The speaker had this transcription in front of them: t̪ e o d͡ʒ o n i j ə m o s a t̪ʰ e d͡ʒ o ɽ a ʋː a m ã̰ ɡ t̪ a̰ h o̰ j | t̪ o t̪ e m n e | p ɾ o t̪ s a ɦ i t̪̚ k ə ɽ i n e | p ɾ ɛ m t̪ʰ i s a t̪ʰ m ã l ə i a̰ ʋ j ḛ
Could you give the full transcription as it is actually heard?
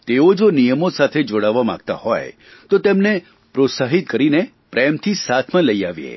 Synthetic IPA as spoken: t̪ e o d͡ʒ o n i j ə m o s a t̪ʰ e d͡ʒ o ɽ a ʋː a m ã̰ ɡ t̪ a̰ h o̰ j | t̪ o t̪ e m n e | p ɾ o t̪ s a ɦ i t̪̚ k ə ɾ i n e | p ɾ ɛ m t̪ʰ i s a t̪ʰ m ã l ə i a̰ ʋ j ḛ